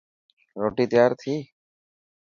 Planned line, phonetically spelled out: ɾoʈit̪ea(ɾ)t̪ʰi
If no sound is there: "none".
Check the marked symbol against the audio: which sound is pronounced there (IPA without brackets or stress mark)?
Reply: ɾ